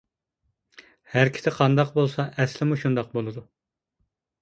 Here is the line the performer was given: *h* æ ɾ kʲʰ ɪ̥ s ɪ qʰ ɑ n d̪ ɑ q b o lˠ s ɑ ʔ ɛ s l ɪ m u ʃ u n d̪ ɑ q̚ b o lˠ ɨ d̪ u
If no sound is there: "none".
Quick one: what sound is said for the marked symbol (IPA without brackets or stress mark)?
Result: h